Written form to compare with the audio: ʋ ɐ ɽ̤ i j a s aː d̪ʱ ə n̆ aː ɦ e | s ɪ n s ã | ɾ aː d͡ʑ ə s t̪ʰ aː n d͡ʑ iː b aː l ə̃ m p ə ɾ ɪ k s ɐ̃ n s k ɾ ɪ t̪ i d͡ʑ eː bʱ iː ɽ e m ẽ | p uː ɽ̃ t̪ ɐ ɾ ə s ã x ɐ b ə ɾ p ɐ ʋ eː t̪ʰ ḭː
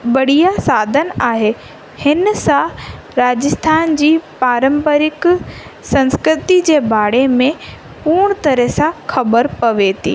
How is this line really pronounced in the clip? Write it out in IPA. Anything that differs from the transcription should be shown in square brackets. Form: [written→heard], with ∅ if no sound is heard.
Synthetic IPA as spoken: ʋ ɐ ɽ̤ i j a s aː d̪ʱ ə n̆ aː ɦ e | [s→h] ɪ n s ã | ɾ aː d͡ʑ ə s t̪ʰ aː n d͡ʑ iː [b→p] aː [l→ɾ] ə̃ m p ə ɾ ɪ k s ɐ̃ n s k ɾ ɪ t̪ i d͡ʑ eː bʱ [iː→aː] ɽ e m ẽ | p uː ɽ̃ t̪ ɐ ɾ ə s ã x ɐ b ə ɾ p ɐ ʋ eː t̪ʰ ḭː